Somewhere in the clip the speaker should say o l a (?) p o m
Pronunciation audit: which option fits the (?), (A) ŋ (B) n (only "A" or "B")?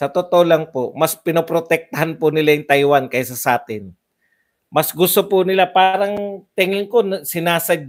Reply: A